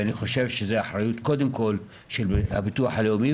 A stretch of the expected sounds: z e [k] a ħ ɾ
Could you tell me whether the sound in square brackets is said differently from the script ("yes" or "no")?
yes